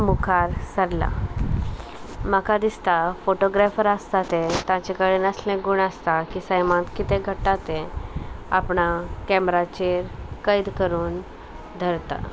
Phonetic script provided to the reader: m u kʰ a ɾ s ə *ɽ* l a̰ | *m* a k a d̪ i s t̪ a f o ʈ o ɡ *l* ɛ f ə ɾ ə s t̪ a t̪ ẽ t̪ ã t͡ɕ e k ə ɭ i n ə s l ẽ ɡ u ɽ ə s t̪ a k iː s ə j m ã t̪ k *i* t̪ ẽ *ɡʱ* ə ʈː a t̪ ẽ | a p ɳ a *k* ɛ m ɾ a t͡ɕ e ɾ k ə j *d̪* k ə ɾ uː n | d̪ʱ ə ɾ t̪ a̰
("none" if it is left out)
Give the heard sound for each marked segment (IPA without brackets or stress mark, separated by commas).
ɾ, m, ɾ, i, ɡʱ, k, d̪